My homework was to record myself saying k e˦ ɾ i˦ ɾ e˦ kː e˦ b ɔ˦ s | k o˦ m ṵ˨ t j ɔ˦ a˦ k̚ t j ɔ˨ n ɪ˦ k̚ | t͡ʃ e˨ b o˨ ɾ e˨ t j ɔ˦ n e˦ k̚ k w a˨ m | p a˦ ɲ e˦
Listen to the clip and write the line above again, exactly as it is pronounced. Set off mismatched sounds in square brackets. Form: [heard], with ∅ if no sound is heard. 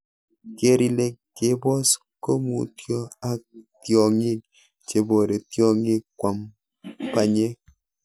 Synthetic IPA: k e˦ ɾ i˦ [l] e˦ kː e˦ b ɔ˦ s | k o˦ m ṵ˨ t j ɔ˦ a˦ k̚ t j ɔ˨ [ŋ] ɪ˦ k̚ | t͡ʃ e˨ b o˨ ɾ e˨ t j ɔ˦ [ŋ] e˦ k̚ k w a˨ m | p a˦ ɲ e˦